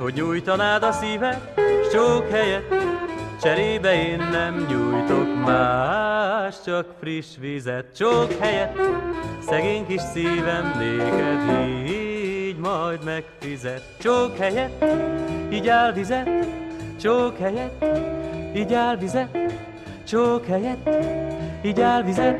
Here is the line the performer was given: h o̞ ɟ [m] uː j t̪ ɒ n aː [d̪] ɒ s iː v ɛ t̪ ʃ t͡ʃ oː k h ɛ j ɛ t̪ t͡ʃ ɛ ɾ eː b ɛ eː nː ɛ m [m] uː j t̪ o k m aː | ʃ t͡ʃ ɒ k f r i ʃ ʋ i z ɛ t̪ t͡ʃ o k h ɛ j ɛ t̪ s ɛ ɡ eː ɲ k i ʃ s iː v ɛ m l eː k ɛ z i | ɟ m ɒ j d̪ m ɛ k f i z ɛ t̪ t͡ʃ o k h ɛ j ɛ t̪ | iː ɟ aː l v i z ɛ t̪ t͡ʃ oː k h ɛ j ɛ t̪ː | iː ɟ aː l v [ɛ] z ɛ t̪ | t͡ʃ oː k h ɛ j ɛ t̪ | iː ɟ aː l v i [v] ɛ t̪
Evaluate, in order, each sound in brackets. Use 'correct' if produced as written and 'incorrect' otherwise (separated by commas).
incorrect, correct, incorrect, incorrect, incorrect